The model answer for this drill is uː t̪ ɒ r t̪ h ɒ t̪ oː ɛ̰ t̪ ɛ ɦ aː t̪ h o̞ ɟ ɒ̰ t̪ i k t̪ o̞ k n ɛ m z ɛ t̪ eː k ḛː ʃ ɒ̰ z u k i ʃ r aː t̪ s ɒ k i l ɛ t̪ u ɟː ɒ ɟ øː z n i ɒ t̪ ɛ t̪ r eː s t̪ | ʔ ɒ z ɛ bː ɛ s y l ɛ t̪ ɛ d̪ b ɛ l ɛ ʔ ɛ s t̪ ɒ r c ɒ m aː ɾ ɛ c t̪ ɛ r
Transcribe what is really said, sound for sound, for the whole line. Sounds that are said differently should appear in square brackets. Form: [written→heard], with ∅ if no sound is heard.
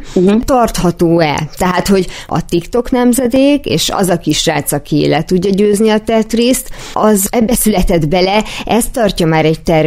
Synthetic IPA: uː t̪ ɒ r t̪ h ɒ t̪ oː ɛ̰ t̪ ɛ ɦ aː t̪ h o̞ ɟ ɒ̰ t̪ i k t̪ o̞ k n ɛ m z ɛ [t̪→d̪] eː k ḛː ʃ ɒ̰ z [u→ɒ] k i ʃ r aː t̪ s ɒ k i l ɛ t̪ u ɟː ɒ ɟ øː z n i ɒ t̪ ɛ t̪ r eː s t̪ | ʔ ɒ z ɛ bː ɛ s y l ɛ t̪ ɛ d̪ b ɛ l ɛ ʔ ɛ s t̪ ɒ r c ɒ m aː ɾ ɛ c t̪ ɛ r